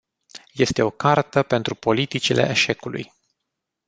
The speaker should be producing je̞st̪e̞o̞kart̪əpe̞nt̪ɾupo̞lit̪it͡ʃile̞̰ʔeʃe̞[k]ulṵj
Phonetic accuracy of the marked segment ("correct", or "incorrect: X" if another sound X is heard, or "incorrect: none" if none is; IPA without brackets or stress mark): correct